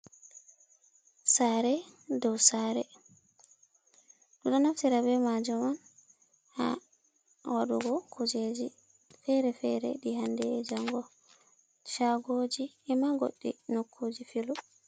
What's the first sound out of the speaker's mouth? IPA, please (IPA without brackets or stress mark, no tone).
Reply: s